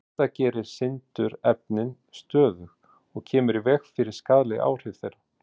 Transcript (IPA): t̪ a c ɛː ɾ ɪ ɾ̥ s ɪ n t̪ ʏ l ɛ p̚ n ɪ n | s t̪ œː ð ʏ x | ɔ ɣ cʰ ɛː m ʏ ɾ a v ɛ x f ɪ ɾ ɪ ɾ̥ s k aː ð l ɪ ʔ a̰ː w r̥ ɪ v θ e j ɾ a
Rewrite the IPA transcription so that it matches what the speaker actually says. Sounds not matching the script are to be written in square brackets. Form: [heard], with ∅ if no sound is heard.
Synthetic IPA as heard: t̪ a c ɛː ɾ ɪ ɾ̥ s ɪ n t̪ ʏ [ɾ] ɛ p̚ n ɪ n | s t̪ œː ð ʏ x | ɔ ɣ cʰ ɛː m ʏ ɾ [i] v ɛ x f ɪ ɾ ɪ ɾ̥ s k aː ð l ɪ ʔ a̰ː w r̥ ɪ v θ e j ɾ a